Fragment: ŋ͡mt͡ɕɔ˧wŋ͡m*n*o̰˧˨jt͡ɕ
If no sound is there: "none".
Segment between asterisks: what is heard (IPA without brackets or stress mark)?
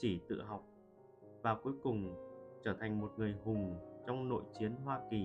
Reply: n